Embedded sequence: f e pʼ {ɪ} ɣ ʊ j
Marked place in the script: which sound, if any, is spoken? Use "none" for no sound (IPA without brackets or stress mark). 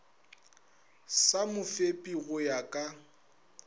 i